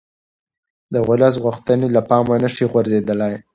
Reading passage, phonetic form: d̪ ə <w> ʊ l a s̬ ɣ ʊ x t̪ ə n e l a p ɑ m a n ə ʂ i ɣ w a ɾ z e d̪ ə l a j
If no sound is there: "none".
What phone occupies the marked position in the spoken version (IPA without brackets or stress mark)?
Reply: ɣ